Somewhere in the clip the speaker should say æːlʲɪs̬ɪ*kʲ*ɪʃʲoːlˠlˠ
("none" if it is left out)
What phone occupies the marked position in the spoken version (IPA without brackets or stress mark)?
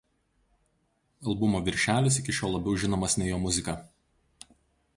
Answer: kʲ